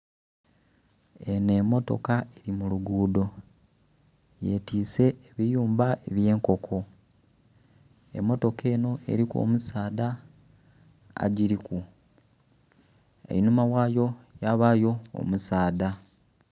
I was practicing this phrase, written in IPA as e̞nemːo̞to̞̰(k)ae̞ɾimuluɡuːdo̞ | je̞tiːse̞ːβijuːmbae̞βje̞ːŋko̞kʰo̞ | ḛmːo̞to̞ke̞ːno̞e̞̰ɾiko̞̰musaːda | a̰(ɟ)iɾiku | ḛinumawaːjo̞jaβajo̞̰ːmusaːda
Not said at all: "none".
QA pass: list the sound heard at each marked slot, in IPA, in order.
k, ɟ

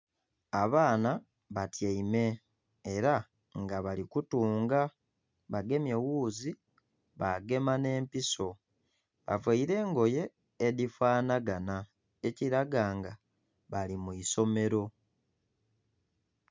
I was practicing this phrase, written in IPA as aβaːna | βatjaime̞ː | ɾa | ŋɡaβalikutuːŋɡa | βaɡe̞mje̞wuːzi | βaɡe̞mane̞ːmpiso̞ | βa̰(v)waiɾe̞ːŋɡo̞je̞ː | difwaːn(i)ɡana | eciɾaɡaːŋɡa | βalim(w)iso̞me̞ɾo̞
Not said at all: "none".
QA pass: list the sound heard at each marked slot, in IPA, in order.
v, a, u

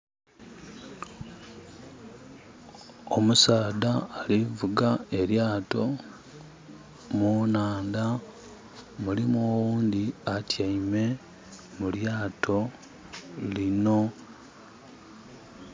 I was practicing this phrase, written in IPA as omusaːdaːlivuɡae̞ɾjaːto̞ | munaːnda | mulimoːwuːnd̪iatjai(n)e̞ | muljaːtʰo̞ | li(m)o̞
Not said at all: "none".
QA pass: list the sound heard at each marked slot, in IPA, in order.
m, n

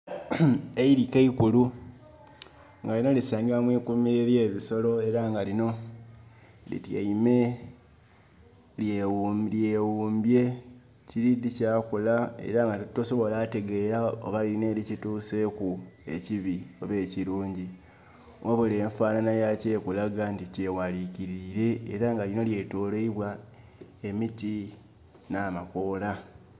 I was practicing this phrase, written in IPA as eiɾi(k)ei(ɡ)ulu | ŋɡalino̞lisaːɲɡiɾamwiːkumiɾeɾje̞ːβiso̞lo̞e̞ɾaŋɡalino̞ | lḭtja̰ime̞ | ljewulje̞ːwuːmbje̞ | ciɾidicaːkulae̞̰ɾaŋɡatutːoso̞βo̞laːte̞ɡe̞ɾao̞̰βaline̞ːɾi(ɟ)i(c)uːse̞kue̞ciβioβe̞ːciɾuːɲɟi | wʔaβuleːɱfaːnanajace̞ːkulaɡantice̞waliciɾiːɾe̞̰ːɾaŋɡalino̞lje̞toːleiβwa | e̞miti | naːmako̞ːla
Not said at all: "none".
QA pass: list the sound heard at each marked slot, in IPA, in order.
k, k, c, t

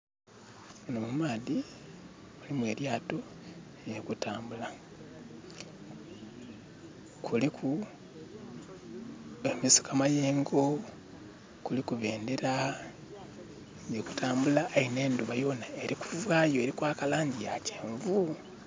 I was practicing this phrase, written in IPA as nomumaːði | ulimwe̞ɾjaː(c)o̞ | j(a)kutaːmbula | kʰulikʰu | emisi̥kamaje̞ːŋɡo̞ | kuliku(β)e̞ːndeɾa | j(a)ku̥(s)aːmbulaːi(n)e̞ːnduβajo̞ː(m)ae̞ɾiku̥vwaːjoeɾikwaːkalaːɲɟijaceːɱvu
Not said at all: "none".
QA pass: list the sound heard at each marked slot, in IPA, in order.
t, e, β, e, t, n, n

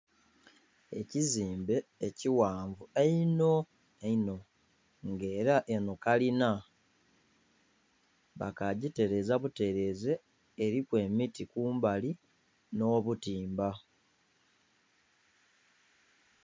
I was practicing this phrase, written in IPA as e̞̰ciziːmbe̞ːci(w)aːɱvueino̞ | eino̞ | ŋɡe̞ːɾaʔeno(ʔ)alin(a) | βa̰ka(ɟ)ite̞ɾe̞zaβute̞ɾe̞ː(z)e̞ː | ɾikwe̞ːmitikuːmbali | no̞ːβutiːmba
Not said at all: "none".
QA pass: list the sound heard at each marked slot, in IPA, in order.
w, k, a, ɟ, z

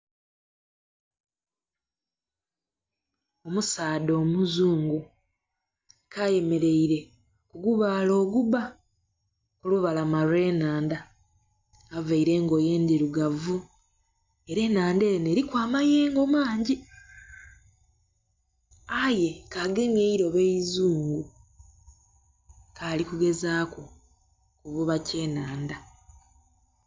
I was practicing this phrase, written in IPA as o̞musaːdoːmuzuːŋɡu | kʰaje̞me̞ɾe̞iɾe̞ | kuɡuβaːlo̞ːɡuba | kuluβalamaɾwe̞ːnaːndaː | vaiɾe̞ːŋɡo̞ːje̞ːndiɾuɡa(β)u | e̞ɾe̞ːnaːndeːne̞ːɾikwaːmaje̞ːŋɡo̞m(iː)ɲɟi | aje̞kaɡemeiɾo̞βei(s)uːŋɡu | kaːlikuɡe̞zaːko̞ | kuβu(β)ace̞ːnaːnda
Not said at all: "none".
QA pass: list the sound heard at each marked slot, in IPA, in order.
v, aː, z, β

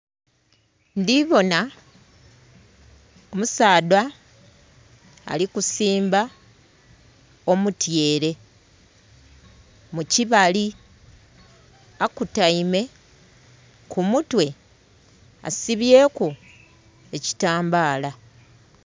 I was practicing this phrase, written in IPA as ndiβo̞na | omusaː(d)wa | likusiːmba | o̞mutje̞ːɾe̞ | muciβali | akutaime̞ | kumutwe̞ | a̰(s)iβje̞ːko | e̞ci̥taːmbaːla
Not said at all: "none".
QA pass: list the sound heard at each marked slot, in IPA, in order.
d, s

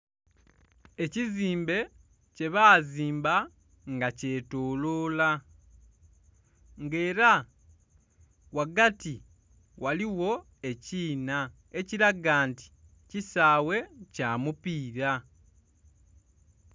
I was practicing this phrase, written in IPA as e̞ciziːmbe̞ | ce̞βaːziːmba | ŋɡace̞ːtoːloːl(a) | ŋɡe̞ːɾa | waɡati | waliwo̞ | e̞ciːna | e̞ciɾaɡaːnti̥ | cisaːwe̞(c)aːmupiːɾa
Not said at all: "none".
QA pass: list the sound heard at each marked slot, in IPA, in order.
a, c

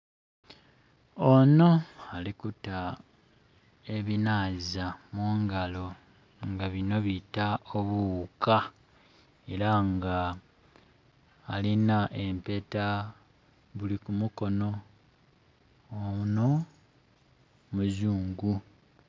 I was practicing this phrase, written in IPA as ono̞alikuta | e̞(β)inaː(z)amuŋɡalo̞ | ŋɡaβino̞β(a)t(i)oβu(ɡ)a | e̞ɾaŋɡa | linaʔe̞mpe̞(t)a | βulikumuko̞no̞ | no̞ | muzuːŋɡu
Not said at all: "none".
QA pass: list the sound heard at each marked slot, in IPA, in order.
β, z, i, a, k, t

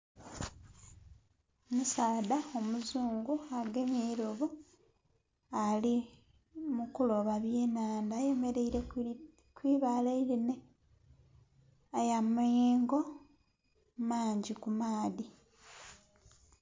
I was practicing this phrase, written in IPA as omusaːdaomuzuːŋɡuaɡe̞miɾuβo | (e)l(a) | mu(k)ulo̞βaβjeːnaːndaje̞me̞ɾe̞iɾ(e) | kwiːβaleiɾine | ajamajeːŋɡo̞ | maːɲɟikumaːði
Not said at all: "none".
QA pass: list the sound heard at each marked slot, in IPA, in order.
a, i, k, e

